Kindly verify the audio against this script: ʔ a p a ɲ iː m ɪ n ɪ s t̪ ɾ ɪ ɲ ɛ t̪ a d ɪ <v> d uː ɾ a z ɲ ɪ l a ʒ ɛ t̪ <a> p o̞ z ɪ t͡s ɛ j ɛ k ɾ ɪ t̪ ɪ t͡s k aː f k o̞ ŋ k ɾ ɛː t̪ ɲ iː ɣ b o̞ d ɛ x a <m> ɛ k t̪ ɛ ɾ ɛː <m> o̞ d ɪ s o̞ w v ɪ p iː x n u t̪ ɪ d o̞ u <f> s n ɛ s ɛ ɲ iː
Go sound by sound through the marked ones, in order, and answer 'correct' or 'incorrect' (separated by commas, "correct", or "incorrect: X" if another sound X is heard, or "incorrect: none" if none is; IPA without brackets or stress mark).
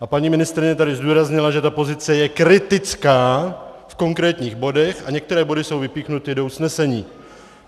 incorrect: z, correct, incorrect: ɲ, incorrect: b, incorrect: none